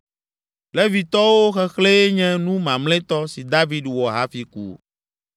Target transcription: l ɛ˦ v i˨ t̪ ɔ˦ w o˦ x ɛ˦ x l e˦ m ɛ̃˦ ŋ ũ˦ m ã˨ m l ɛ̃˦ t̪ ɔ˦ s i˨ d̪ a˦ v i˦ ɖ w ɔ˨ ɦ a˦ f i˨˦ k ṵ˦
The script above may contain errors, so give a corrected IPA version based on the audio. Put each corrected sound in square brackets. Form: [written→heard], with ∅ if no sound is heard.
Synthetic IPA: l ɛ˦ v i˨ t̪ ɔ˦ w o˦ x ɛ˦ x l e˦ [m→ɲ] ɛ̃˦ [ŋ→n] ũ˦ m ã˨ m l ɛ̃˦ t̪ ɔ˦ s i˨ d̪ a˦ v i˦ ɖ w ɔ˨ ɦ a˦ f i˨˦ k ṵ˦